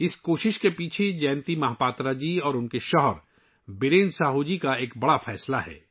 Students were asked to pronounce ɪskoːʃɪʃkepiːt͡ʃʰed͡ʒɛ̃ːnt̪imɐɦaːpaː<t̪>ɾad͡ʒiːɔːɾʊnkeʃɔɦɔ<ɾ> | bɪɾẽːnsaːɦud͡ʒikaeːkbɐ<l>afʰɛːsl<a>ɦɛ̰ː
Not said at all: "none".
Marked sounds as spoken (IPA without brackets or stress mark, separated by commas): t̪, ɾ, ɽ, a